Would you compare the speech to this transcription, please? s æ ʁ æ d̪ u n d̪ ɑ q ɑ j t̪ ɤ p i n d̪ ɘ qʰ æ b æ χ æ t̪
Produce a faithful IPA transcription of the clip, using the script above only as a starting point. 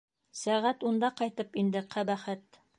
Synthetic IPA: s æ ʁ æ t̪ u n d̪ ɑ q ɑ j t̪ ɤ p i n d̪ ɘ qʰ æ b æ χ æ t̪